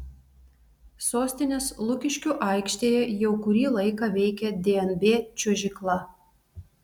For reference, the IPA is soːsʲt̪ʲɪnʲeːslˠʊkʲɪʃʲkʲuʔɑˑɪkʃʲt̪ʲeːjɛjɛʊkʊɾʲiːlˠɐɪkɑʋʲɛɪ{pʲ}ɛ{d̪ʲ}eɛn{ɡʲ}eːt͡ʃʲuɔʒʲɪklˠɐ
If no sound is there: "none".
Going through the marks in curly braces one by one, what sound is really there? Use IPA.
kʲ, d̪ʲ, bʲ

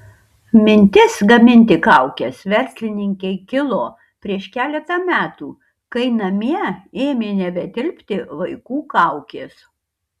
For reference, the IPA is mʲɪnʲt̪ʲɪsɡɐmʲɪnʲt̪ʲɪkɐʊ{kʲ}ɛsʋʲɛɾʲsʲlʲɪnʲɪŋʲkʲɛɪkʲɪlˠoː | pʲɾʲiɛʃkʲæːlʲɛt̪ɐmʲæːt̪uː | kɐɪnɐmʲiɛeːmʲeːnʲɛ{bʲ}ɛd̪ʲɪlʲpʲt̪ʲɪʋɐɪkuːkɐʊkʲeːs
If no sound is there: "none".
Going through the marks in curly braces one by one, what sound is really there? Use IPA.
kʲ, bʲ

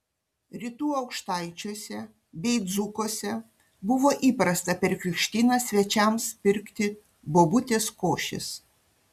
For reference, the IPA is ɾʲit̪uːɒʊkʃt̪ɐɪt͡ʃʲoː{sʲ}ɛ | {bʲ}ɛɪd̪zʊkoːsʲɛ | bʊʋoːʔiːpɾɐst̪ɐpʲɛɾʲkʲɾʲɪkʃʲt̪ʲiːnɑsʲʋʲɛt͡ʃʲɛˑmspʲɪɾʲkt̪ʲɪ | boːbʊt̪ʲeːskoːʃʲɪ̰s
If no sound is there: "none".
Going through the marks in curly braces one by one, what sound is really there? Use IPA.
sʲ, bʲ

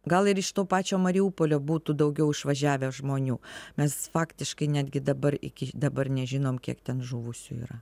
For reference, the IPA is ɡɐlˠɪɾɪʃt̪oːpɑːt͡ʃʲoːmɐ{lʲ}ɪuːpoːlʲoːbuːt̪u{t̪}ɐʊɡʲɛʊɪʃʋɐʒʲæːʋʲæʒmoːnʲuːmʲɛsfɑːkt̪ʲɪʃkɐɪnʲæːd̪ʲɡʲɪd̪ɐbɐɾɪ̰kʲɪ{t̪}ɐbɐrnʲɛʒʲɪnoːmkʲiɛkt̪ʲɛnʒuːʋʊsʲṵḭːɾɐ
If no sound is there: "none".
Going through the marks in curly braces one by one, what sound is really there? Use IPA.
ɾʲ, d̪, d̪

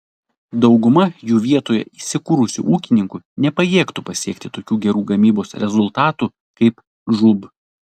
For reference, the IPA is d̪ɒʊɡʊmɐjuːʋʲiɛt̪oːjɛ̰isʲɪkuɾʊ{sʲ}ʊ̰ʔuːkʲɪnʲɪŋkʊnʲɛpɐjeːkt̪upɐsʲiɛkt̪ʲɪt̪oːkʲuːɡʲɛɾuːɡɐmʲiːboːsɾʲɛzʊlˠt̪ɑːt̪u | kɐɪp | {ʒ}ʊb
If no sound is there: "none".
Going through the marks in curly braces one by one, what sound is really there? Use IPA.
sʲ, ʒ

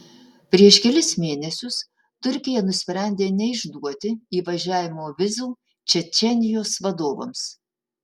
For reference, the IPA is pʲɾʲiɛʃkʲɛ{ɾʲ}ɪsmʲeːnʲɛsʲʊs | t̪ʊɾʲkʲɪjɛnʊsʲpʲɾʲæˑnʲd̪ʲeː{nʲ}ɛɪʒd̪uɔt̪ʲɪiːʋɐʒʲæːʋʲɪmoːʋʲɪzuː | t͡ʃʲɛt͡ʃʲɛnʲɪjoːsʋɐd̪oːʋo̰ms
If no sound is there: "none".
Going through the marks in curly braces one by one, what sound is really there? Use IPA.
lʲ, nʲ

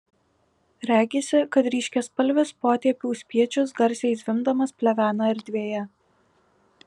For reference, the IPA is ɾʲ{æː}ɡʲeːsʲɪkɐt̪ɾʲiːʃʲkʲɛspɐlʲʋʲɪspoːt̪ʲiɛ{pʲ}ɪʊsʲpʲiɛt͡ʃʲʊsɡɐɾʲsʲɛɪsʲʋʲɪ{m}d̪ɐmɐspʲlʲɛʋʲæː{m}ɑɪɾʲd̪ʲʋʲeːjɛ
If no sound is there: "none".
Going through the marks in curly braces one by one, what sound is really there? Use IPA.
æː, pʲ, m, n

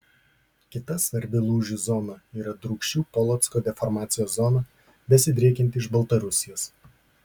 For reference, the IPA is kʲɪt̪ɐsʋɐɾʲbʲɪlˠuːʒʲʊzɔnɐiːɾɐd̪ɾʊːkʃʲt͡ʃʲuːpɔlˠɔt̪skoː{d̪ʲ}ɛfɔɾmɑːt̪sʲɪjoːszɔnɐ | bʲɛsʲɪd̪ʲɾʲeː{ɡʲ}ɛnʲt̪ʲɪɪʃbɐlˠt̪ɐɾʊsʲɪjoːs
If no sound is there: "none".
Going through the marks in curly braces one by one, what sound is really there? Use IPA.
d̪ʲ, kʲ

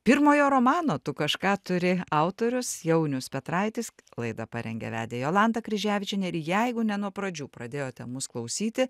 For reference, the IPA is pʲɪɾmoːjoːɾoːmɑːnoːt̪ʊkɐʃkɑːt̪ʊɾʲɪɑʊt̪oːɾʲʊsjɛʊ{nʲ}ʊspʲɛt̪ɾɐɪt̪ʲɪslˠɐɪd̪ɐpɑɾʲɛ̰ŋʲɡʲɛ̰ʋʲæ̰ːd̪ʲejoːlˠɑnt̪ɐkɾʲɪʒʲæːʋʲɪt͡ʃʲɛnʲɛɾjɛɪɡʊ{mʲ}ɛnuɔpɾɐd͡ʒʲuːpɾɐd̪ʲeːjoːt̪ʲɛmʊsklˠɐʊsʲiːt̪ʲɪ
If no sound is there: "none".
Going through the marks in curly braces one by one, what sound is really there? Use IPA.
nʲ, nʲ

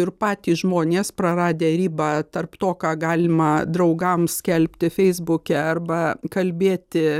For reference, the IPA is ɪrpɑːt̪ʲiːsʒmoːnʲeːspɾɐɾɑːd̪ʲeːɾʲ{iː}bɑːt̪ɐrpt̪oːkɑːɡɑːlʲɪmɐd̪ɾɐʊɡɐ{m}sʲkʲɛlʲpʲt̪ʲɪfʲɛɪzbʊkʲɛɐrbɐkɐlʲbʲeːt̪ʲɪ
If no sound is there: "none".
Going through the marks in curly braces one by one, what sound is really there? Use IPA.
iː, m

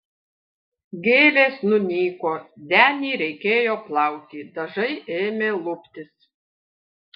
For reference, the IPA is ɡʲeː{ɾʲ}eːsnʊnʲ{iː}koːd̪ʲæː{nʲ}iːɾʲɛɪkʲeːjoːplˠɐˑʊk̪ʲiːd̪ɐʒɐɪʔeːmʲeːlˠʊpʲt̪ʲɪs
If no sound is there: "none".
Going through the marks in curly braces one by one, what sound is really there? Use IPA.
lʲ, iː, nʲ

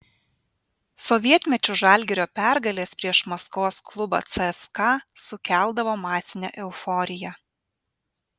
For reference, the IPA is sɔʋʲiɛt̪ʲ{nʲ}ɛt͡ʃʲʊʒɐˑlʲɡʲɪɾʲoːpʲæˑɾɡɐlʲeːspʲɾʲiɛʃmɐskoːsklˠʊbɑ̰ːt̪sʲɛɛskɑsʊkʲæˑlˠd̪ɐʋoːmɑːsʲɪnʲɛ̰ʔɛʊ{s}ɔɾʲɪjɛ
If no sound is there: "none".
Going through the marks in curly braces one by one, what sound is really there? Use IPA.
mʲ, f

